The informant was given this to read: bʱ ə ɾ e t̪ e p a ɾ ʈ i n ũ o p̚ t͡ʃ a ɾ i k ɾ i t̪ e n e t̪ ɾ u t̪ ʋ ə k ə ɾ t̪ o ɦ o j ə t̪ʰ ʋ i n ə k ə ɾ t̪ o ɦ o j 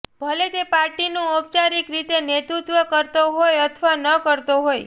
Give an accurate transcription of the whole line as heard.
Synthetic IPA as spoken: bʱ ə l e t̪ e p a ɾ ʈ i n ũ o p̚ t͡ʃ a ɾ i k ɾ i t̪ e n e t̪ ɾ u t̪ ʋ ə k ə ɾ t̪ o ɦ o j ə t̪ʰ ʋ a n ə k ə ɾ t̪ o ɦ o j

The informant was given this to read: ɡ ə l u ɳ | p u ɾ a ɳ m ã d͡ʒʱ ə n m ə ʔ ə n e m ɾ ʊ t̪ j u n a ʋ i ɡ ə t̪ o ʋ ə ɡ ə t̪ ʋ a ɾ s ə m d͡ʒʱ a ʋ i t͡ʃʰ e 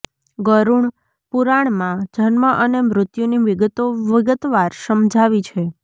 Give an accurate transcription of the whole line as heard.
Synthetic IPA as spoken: ɡ ə ɾ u ɳ | p u ɾ a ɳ m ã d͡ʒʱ ə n m ə ʔ ə n e m ɾ ʊ t̪ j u n i ʋ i ɡ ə t̪ o ʋ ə ɡ ə t̪ ʋ a ɾ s ə m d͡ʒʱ a ʋ i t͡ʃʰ e

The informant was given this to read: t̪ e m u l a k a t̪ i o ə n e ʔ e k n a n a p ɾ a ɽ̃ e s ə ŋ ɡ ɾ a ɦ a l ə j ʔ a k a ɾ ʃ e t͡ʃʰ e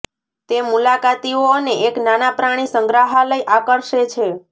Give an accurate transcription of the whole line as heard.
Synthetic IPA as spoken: t̪ e m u l a k a t̪ i o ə n e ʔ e k n a n a p ɾ a ɽ̃ i s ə ŋ ɡ ɾ a ɦ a l ə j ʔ a k ə ɾ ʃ e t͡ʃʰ e

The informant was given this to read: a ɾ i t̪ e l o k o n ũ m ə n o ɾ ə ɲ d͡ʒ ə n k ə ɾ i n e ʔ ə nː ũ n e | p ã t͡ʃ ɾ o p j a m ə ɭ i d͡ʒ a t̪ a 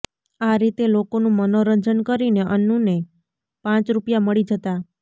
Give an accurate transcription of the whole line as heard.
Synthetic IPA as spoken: a ɾ i t̪ e l o k o n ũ m ə n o ɾ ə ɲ d͡ʒ ə n k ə ɾ i n e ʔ ə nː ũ n e | p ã t͡ʃ ɾ u p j a m ə ɭ i d͡ʒ ə t̪ a

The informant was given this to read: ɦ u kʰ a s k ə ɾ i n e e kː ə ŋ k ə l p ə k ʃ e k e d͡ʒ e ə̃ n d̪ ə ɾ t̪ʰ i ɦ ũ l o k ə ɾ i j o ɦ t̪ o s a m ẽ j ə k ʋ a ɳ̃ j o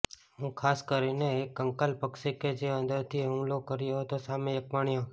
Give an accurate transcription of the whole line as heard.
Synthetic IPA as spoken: ɦ ũ kʰ a s k ə ɾ i n e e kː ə ŋ k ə l p ə k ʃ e k e d͡ʒ e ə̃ n d̪ ə ɾ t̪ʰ i ɦ ũ l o k ə ɾ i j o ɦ t̪ o s a m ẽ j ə k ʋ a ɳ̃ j o

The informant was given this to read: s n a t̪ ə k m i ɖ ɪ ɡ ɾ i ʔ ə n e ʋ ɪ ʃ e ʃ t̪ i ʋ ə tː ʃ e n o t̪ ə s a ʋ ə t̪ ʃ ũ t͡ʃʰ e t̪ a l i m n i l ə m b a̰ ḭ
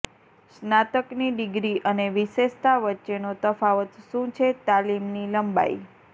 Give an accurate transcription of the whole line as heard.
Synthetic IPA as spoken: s n a t̪ ə k n i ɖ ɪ ɡ ɾ i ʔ ə n e ʋ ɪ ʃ e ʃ t̪ a ʋ ə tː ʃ e n o t̪ ə f a ʋ ə t̪ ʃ ũ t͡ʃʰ e t̪ a l i m n i l ə m b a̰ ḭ

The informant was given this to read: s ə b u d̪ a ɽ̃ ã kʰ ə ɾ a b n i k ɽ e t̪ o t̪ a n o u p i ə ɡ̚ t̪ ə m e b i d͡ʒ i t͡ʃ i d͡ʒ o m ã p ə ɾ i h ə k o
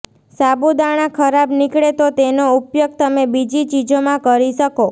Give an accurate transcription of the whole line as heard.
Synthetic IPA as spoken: s a b u d̪ a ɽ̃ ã kʰ ə ɾ a b n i k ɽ e t̪ o t̪ e n o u p j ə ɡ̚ t̪ ə m e b i d͡ʒ i t͡ʃ i d͡ʒ o m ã k ə ɾ i ʃ ə k o

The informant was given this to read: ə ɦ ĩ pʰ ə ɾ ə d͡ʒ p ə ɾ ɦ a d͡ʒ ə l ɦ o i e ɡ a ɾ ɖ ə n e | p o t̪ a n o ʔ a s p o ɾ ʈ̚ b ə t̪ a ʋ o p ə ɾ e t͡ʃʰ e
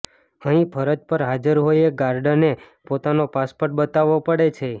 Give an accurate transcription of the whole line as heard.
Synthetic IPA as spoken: ə ɦ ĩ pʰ ə ɾ ə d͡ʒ p ə ɾ ɦ a d͡ʒ ə ɾ ɦ o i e ɡ a ɾ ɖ ə n e | p o t̪ a n o p a s p o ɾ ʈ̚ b ə t̪ a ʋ o p ə ɽ e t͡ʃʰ e

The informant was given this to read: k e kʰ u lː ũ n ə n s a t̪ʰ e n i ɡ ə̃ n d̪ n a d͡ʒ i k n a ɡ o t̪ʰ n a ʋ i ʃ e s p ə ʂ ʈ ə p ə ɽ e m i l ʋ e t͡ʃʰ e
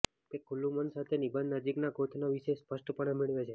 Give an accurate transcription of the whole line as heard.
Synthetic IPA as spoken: k e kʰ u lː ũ m ə n s a t̪ʰ e n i b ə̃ n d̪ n ə d͡ʒ i k n a ɡ o t̪ʰ n a ʋ i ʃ e s p ə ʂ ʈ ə p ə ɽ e m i ɭ ʋ e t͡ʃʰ e

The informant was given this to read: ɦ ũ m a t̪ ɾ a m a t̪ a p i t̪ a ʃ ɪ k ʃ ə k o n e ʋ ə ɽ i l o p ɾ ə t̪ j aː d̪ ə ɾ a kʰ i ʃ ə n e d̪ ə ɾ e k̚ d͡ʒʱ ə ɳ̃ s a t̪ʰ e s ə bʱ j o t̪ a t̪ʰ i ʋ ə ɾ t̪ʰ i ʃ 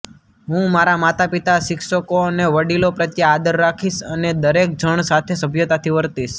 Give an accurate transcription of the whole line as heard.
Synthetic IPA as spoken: ɦ ũ m a ɾ a m a t̪ a p i t̪ a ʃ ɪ k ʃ ə k o n e ʋ ə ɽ i l o p ɾ ə t̪ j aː d̪ ə ɾː a kʰ i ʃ ə n e d̪ ə ɾ e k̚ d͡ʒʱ ə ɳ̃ s a t̪ʰ e s ə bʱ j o t̪ a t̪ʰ i ʋ ə ɾ t̪ i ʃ

